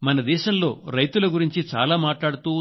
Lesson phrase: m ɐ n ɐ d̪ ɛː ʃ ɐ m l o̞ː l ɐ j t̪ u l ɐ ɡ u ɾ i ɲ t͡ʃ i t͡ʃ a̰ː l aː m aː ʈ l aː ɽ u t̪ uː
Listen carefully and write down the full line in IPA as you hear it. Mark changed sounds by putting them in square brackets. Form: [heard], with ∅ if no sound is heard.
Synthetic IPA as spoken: m ɐ n ɐ d̪ ɛː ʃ ɐ m l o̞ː [ɾ] ɐ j t̪ u l ɐ ɡ u ɾ i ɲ t͡ʃ i t͡ʃ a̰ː l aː m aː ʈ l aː ɽ u t̪ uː